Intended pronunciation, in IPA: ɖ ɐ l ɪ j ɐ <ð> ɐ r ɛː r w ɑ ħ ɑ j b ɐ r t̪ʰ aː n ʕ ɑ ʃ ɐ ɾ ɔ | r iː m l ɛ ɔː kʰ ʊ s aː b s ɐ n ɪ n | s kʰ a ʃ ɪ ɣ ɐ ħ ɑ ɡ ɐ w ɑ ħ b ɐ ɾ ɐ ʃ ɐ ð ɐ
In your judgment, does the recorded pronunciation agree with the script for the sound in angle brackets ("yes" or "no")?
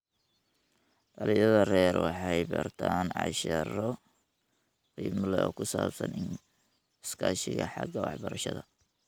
yes